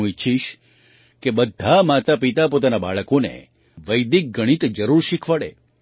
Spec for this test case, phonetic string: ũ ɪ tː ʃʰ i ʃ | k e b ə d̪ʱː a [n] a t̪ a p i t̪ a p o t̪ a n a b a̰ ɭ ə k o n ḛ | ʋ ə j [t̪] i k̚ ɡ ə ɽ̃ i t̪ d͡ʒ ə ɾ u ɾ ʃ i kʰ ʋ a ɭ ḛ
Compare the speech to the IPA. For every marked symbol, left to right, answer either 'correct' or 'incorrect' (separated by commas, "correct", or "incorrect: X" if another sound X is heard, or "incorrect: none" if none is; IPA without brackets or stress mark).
incorrect: m, incorrect: d̪